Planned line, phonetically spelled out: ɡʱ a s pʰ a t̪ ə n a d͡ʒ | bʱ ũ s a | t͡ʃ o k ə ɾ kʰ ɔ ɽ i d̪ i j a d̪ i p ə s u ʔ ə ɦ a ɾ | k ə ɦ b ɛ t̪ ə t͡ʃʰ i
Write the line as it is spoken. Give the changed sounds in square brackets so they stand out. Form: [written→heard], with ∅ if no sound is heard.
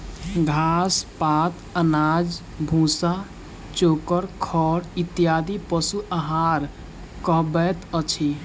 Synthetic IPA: ɡʱ a s [pʰ→p] a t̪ ə n a d͡ʒ | bʱ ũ s a | t͡ʃ o k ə ɾ kʰ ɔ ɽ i [d̪→t̪] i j a d̪ i p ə s u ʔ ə ɦ a ɾ | k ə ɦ b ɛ t̪ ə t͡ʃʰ i

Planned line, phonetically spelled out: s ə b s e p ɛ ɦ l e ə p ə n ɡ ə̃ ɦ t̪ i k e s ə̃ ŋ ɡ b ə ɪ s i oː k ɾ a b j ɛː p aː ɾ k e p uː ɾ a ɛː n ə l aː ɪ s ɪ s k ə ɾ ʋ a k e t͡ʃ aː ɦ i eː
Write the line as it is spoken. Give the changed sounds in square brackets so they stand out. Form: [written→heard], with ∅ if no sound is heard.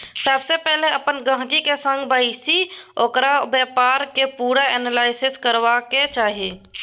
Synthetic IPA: s ə b s e p ɛ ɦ l e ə p ə n ɡ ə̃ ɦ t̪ i k e s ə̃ ŋ ɡ b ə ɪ s i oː k ɾ a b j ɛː p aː ɾ k e p uː ɾ a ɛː n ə l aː ɪ s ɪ s k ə ɾ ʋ a k e t͡ʃ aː ɦ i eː

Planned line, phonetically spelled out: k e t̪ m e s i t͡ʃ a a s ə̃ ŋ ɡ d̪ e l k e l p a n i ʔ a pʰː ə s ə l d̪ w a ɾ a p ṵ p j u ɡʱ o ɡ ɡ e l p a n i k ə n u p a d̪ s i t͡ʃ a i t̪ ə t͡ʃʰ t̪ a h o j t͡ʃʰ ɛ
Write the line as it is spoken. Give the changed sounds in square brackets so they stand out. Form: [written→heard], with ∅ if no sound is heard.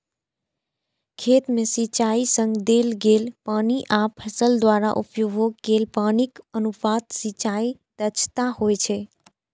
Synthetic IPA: [k→kʰ] e t̪ m e s i t͡ʃ a [a→i] s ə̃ ŋ ɡ d̪ e l [k→ɡ] e l p a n i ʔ a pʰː ə s ə l d̪ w a ɾ a [p→ʔ] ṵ p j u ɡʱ o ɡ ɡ e l p a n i k ə n u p a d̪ s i t͡ʃ a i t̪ ə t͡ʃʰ t̪ a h o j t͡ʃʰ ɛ

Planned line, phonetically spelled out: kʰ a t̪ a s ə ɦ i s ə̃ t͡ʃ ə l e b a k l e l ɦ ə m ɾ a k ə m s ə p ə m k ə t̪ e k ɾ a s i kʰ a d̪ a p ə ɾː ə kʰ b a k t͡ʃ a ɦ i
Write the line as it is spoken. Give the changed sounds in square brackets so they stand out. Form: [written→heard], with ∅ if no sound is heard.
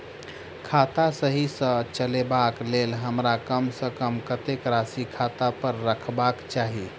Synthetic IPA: kʰ a t̪ a s ə ɦ i s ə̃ t͡ʃ ə l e b a k l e l ɦ ə m ɾ a k ə m s ə [p→k] ə m k ə t̪ e k ɾ a s i kʰ a [d̪→t̪] a p ə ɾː ə kʰ b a k t͡ʃ a ɦ i

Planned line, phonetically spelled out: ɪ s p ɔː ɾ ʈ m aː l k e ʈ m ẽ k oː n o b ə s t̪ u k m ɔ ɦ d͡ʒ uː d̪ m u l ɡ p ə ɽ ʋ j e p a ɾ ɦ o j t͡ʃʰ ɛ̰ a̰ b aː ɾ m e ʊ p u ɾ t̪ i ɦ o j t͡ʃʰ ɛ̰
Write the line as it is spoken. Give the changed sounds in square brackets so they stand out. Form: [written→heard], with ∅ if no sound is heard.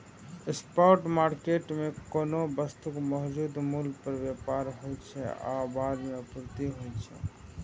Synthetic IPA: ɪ s p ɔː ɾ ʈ m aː [l→ɾ] k e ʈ m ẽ k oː n o b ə s t̪ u k m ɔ ɦ d͡ʒ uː d̪ m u l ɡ p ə [ɽ→ɾ] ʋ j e p a ɾ ɦ o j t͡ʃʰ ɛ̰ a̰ b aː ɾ m e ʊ p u ɾ t̪ i ɦ o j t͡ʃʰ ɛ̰

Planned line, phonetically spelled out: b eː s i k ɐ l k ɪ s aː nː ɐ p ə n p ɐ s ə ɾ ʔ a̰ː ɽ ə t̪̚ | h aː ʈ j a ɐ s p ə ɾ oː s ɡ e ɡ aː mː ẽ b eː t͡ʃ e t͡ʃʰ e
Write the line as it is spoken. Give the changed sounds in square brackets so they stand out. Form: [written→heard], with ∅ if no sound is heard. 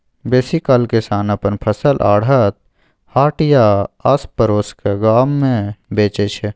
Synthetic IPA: b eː s i k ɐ l k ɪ s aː [nː→n] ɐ p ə n [p→pʰ] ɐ s ə [ɾ→l] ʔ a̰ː ɽ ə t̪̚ | h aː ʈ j a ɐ s p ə ɾ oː s [ɡ→k] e ɡ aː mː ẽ b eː t͡ʃ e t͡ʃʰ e

